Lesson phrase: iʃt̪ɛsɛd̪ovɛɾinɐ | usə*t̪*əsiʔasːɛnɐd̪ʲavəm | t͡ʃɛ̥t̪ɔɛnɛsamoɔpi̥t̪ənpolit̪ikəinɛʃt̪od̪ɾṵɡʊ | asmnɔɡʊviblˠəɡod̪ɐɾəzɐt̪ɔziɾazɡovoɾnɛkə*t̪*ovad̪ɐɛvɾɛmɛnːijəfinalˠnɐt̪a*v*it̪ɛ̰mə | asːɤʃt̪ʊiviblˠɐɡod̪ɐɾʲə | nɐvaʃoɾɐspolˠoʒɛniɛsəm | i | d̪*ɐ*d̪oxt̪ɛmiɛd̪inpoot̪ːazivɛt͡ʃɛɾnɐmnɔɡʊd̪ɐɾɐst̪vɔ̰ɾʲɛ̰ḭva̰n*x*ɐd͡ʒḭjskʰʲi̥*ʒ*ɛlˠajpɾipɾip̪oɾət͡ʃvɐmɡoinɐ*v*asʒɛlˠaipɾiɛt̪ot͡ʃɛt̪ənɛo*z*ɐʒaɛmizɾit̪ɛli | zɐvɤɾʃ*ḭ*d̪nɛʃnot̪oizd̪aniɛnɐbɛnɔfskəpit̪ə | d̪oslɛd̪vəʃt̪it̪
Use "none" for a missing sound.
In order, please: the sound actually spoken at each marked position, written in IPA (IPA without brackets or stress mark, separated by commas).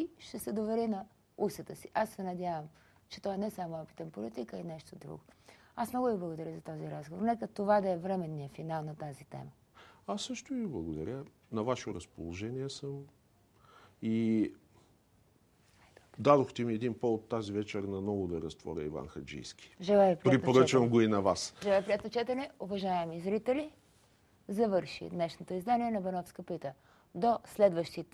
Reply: t̪, t̪, z, a, x, ʒ, v, v, ḭ